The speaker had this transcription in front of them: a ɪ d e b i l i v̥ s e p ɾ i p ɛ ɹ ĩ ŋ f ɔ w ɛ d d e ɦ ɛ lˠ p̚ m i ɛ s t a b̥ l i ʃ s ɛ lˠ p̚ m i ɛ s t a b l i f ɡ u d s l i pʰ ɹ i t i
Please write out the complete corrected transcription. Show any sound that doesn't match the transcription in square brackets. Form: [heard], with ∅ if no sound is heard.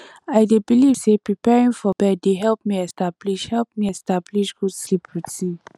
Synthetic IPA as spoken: a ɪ d e b i l i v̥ s e p [ɹ] i p ɛ ɹ ĩ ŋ f ɔ [b] ɛ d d e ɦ ɛ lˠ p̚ m i ɛ s t a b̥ l i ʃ [h] ɛ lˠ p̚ m i ɛ s t a b l i [ʃ] ɡ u d s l i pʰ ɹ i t i